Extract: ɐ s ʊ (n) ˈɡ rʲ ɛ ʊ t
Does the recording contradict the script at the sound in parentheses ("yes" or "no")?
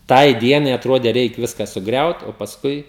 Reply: yes